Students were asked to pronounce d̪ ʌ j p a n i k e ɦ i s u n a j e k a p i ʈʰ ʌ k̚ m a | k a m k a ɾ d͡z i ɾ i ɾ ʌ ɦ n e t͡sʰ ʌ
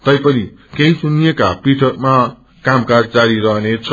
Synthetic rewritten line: t̪ ʌ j p ʌ n i k e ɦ i s u n i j e k a p i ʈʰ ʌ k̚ m a | k a m k a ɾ d͡z a ɾ i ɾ ʌ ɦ n e t͡sʰ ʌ